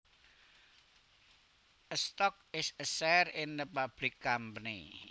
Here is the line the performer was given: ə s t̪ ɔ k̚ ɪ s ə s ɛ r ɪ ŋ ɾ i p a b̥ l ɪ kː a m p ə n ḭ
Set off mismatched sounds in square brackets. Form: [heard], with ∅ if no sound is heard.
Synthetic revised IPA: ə s t̪ ɔ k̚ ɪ s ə s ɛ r ɪ [n] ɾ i p a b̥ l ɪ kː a m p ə n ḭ

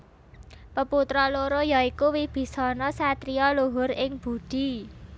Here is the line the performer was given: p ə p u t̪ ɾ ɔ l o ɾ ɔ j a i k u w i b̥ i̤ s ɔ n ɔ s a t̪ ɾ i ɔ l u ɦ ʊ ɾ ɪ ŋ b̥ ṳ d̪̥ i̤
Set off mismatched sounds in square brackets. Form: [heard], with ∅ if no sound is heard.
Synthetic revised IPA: p ə p u t̪ ɾ ɔ l o ɾ [o] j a i k u w i b̥ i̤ s ɔ n ɔ s a t̪ ɾ i ɔ l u ɦ ʊ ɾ ɪ ŋ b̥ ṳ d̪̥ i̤

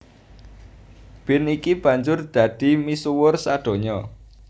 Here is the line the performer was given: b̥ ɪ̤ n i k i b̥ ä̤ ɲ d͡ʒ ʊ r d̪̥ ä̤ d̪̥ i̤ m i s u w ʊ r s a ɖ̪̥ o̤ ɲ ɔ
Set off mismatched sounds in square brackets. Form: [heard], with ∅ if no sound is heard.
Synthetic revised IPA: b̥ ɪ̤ n i k i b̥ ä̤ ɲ d͡ʒ ʊ r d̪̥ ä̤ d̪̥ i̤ m i s u w ʊ r s a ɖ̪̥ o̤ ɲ ɔ

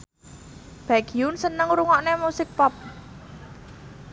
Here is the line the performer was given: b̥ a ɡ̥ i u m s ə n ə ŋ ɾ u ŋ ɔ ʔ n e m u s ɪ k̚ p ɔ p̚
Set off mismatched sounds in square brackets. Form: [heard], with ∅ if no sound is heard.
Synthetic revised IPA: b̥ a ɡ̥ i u [n] s ə n ə ŋ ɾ u ŋ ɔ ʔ n e m u s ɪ k̚ p ɔ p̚

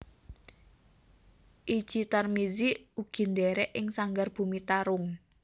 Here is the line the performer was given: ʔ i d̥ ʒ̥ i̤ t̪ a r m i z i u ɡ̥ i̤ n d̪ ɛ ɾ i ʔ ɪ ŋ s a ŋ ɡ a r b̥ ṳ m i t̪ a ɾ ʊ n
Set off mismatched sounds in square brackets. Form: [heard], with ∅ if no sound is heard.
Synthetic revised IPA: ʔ i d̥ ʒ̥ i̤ t̪ a r m i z i u ɡ̥ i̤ n d̪ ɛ ɾ [ɛ] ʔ ɪ ŋ s a ŋ ɡ a r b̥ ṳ m i t̪ a ɾ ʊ [ŋ]

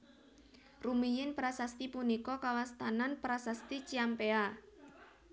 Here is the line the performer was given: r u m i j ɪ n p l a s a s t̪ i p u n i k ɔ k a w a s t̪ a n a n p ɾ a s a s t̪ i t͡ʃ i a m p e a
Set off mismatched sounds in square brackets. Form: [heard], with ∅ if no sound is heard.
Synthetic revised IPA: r u m i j ɪ n p [ɾ] a s a s t̪ i p u n i k ɔ k a w a s t̪ a n a n p ɾ a s a s t̪ i t͡ʃ i a m p e a

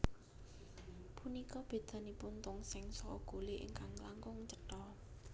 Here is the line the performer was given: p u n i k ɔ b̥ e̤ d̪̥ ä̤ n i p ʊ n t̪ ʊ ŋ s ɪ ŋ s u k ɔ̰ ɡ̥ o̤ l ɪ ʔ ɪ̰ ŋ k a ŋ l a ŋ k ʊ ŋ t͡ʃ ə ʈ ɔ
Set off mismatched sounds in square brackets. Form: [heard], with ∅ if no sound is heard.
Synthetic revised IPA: p u n i k ɔ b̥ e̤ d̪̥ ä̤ n i p ʊ n t̪ ʊ ŋ s ɪ ŋ s [ɔ] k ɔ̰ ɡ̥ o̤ l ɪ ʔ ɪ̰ ŋ k a ŋ l a ŋ k ʊ ŋ t͡ʃ ə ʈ ɔ

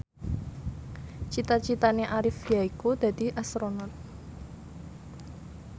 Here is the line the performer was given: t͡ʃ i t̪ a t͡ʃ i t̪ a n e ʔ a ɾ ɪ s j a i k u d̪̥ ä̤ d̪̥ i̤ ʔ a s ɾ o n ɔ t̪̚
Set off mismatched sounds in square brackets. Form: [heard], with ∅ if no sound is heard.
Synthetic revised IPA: t͡ʃ i t̪ a t͡ʃ i t̪ a n e ʔ a ɾ ɪ [f] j a i k u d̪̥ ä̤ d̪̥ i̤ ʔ a s ɾ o n ɔ t̪̚

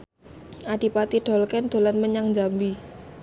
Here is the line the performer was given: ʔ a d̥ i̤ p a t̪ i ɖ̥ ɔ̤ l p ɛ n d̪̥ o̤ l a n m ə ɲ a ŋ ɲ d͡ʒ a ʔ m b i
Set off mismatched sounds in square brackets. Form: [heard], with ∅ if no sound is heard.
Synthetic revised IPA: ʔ a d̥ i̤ p a t̪ i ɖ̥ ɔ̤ l [k] ɛ n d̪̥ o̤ l a n m ə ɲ a ŋ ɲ d͡ʒ a [∅] m b i

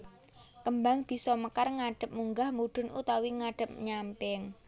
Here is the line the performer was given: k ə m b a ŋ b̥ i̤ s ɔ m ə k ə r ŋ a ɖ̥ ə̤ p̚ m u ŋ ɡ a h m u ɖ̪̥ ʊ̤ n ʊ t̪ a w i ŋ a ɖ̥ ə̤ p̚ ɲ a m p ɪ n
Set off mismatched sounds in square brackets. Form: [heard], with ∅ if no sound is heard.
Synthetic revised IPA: k ə m b a ŋ b̥ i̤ s ɔ m ə k [a] r ŋ a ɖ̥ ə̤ p̚ m u ŋ ɡ a h m u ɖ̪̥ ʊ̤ n [u] t̪ a w i ŋ a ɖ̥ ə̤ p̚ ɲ a m p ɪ [ŋ]

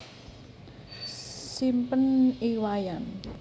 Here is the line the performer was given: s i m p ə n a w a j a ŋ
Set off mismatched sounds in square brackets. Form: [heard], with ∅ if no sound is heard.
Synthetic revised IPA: s i m p ə n [i] w a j a [n]

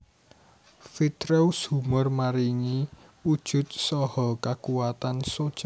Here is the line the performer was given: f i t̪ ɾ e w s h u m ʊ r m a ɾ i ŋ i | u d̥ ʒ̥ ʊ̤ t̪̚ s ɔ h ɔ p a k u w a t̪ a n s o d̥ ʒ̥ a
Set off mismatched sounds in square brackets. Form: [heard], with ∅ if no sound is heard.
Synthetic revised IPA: f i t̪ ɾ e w s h u m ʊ r m a ɾ i ŋ i | u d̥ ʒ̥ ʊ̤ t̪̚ s ɔ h ɔ [k] a k u w a t̪ a n s o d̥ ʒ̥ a

